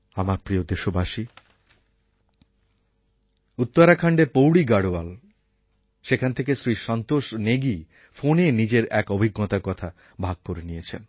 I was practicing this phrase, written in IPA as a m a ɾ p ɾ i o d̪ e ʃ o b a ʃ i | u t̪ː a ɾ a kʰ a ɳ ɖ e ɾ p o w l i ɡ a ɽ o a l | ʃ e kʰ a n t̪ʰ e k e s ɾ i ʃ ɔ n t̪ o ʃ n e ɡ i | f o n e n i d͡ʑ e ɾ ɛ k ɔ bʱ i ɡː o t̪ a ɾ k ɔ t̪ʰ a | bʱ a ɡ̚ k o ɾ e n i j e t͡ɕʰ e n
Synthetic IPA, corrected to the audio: a m a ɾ p ɾ i o d̪ e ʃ o b a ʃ i | u t̪ː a ɾ a kʰ a ɳ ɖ e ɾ p o w ɽ i ɡ a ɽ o a l | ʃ e kʰ a n t̪ʰ e k e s ɾ i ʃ ɔ n t̪ o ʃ n e ɡ i | f o n e n i d͡ʑ e ɾ ɛ k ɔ bʱ i ɡː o t̪ a ɾ k ɔ t̪ʰ a | bʱ a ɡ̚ k o ɾ e n i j e t͡ɕʰ e n

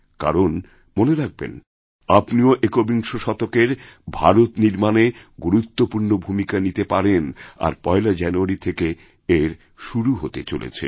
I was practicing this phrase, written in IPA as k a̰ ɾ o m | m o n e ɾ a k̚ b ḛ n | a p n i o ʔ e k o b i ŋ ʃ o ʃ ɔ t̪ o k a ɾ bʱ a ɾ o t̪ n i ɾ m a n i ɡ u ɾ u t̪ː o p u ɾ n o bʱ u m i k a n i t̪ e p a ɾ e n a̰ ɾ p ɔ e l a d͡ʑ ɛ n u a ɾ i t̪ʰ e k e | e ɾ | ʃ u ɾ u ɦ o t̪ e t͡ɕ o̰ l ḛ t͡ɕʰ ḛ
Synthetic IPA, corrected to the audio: k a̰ ɾ o n | m o n e ɾ a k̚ b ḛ n | a p n i o ʔ e k o b i ŋ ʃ o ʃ ɔ t̪ o k e ɾ bʱ a ɾ o t̪ n i ɾ m a n e ɡ u ɾ u t̪ː o p u ɾ n o bʱ u m i k a n i t̪ e p a ɾ e n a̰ ɾ p ɔ e l a d͡ʑ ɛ n u a ɾ i t̪ʰ e k e | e ɾ | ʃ u ɾ u ɦ o t̪ e t͡ɕ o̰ l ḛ t͡ɕʰ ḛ

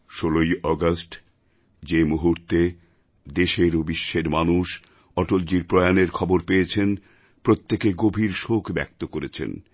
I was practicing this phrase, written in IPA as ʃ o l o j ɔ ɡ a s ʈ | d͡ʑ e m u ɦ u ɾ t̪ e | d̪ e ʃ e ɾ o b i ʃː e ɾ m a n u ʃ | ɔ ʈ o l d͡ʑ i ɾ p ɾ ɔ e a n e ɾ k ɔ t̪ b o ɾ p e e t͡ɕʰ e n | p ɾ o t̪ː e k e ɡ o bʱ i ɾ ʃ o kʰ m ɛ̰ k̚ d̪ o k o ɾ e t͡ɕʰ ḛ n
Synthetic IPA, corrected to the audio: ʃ o l o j ɔ ɡ a s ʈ | d͡ʑ e m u ɦ u ɾ t̪ e | d̪ e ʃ e ɾ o b i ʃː e ɾ m a n u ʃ | ɔ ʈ o l d͡ʑ i ɾ p ɾ ɔ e a n e ɾ kʰ ɔ b o ɾ p e e t͡ɕʰ e n | p ɾ o t̪ː e k e ɡ o bʱ i ɾ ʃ o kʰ b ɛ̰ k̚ t̪ o k o ɾ e t͡ɕʰ ḛ n

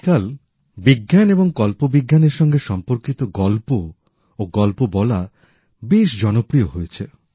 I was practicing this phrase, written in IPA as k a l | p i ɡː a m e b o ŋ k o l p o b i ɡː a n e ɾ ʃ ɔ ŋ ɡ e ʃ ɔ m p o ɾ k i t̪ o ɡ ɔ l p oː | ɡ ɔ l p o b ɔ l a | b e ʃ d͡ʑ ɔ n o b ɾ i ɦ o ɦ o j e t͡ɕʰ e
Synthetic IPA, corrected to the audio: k a l | b i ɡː a n e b o ŋ k ɔ l p o b i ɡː a n e ɾ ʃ ɔ ŋ ɡ e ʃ ɔ m p o ɾ k i t̪ o ɡ ɔ l p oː | ɡ ɔ l p o b ɔ l a | b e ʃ d͡ʑ ɔ n o p ɾ i o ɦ o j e t͡ɕʰ e

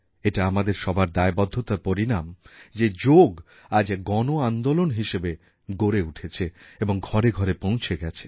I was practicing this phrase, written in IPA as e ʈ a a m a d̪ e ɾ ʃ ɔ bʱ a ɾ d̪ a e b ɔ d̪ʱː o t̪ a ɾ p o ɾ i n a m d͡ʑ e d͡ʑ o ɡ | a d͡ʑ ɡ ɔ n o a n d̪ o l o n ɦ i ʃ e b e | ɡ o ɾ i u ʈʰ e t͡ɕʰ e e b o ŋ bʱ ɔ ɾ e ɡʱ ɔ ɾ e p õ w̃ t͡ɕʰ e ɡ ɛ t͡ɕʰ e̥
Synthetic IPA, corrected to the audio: e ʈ a a m a d̪ e ɾ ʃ ɔ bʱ a ɾ d̪ a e b ɔ d̪ʱː o t̪ a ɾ p o ɾ i n a m d͡ʑ e d͡ʑ o ɡ | a d͡ʑ ɡ ɔ n o a n d̪ o l o n ɦ i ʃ e b e | ɡ o ɾ e u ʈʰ e t͡ɕʰ e e b o ŋ ɡʱ ɔ ɾ e ɡʱ ɔ ɾ e p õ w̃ t͡ɕʰ e ɡ ɛ t͡ɕʰ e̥

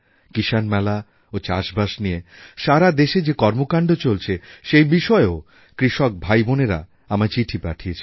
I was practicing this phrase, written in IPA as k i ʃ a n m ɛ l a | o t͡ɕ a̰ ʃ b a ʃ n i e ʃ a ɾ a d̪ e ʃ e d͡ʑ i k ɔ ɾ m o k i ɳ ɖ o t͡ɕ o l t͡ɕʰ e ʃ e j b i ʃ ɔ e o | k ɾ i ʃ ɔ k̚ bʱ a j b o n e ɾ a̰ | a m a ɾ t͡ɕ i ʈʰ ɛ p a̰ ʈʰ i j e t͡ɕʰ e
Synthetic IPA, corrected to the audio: k i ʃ a n m ɛ l a | o t͡ɕ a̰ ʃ b a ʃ n i e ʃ a ɾ a d̪ e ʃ e d͡ʑ e k ɔ ɾ m o k a ɳ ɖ o t͡ɕ o l t͡ɕʰ e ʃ e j b i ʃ ɔ e o | k ɾ i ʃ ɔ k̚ bʱ a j b o n e ɾ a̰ | a m a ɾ t͡ɕ i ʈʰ i p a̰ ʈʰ i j e t͡ɕʰ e

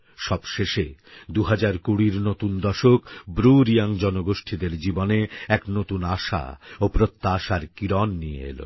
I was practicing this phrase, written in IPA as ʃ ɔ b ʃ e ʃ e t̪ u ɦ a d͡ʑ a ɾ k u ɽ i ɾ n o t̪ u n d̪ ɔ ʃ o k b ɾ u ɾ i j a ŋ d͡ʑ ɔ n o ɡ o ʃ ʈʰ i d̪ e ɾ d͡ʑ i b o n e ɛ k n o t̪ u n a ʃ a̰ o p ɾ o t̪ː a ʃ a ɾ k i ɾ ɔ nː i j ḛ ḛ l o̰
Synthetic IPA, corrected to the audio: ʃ ɔ b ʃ e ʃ e d̪ u ɦ a d͡ʑ a ɾ k u ɽ i ɾ n o t̪ u n d̪ ɔ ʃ o k b ɾ u ɾ i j a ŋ d͡ʑ ɔ n o ɡ o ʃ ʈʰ i d̪ e ɾ d͡ʑ i b o n e ɛ k n o t̪ u n a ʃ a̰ o p ɾ o t̪ː a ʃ a ɾ k i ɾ ɔ nː i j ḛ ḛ l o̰

